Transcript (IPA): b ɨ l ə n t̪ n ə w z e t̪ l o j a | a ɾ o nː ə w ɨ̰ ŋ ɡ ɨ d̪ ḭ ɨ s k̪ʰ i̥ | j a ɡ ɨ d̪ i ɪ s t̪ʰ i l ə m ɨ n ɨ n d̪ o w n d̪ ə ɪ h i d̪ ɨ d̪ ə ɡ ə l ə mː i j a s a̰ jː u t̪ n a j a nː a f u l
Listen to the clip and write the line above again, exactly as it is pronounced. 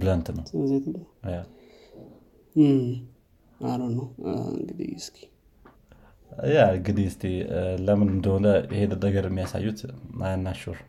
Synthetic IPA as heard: b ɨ l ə n t̪ n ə w z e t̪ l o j a | a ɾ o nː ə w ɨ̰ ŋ ɡ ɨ d̪ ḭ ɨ s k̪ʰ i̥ | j a ɡ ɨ d̪ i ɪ s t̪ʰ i l ə m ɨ n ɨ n d̪ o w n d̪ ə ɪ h e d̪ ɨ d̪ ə ɡ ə ɾ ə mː i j a s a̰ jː u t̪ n a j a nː a ʃ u ɾ